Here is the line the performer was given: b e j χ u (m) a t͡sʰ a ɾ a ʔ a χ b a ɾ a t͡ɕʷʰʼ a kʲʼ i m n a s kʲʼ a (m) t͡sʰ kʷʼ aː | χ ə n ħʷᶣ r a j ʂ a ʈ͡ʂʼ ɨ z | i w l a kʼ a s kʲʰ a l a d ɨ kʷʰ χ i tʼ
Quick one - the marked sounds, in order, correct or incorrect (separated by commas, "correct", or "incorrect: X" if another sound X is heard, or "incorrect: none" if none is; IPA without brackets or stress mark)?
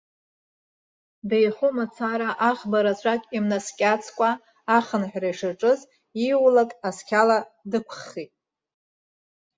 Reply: correct, incorrect: none